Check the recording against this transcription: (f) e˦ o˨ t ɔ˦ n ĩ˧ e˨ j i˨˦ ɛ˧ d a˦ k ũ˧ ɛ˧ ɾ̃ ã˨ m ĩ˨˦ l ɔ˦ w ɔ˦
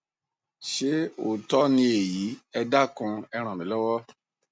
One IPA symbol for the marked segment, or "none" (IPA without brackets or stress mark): ʃ